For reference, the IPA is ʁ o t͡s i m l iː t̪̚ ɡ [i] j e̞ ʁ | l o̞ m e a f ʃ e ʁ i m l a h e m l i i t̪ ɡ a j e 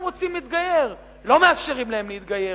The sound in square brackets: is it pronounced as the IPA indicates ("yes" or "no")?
no